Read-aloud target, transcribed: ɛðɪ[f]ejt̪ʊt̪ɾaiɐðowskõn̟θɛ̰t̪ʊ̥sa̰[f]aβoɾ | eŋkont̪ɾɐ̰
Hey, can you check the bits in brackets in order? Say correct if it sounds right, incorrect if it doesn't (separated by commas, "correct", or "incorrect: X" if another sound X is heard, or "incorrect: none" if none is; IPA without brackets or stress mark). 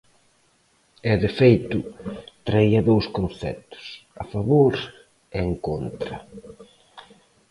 correct, correct